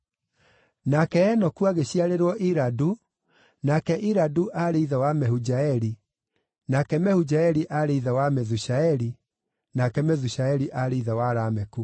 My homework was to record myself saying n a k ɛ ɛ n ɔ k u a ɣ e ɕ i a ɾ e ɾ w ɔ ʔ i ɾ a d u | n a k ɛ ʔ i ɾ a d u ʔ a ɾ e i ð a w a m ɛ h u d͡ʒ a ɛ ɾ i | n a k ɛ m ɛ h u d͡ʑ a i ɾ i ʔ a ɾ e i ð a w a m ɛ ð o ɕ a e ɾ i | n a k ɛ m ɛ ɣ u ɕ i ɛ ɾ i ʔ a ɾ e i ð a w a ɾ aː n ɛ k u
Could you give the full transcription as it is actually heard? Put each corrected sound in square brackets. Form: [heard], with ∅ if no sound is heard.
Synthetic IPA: n a k ɛ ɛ n ɔ k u a ɣ e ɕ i a ɾ e ɾ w ɔ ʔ i ɾ a d u | n a k ɛ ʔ i ɾ a d u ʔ a ɾ e i ð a w a m ɛ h u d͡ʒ a ɛ ɾ i | n a k ɛ m ɛ h u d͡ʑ a [ɛ] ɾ i ʔ a ɾ e i ð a w a m ɛ ð [u] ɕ a [ɛ] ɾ i | n a k ɛ m ɛ [ð] u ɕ [a] ɛ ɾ i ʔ a ɾ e i ð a w a ɾ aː [m] ɛ k u